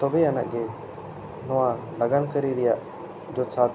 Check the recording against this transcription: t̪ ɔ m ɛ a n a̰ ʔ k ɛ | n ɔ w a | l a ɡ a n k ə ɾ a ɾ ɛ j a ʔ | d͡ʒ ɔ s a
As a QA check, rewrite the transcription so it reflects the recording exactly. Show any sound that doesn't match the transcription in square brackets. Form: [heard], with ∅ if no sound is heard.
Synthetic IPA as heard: t̪ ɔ [b] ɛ a n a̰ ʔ [ɡ] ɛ | n ɔ w a | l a ɡ a n k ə ɾ [i] ɾ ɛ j a ʔ | d͡ʒ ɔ s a